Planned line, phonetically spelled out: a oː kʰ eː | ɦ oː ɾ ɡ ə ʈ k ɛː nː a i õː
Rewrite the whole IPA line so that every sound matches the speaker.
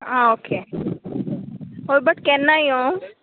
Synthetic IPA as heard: a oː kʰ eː | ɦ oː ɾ b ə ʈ k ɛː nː a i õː